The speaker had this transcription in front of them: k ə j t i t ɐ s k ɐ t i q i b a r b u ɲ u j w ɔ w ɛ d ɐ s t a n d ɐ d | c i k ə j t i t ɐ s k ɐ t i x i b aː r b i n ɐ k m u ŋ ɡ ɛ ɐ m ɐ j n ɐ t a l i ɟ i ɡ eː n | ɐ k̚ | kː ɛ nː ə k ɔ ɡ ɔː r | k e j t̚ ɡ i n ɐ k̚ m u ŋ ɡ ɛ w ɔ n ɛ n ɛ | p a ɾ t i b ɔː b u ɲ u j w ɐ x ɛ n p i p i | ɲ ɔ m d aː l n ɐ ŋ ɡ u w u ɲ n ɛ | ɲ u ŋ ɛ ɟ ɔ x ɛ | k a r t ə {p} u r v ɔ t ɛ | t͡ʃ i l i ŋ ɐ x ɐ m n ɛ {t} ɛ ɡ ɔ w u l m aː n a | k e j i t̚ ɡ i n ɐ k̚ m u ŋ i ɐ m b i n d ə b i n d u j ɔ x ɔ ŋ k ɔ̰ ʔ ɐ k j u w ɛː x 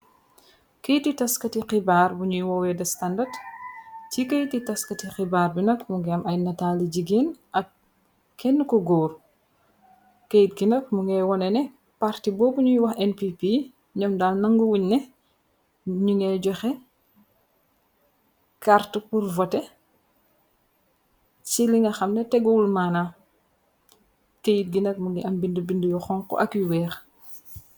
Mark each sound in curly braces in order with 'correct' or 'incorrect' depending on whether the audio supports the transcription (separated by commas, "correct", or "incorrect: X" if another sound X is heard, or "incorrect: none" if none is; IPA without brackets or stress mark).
correct, correct